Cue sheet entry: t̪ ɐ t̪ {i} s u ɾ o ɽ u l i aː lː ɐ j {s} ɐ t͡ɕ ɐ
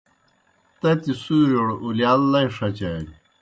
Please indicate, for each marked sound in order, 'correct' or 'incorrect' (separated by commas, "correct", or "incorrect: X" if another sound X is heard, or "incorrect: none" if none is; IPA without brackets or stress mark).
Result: correct, incorrect: ʂ